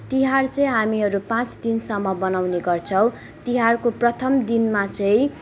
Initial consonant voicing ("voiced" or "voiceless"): voiceless